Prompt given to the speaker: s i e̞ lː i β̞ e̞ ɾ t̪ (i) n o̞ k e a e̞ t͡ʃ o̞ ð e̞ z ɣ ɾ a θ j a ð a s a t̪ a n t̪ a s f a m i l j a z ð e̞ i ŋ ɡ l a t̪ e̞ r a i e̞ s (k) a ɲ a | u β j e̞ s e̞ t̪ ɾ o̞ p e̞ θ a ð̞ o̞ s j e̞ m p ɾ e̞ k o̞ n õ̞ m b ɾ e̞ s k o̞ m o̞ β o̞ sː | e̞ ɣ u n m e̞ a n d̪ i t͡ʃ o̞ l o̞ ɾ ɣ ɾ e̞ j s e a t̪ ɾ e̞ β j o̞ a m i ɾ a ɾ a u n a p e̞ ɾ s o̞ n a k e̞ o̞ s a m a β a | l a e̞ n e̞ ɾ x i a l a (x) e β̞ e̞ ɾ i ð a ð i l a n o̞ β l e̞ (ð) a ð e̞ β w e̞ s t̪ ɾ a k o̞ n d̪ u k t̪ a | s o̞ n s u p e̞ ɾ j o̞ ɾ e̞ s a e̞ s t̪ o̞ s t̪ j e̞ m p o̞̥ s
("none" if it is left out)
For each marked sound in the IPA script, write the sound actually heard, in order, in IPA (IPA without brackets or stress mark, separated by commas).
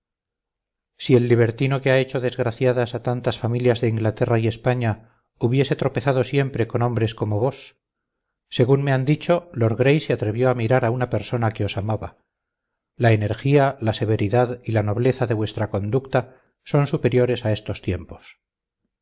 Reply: i, p, s, θ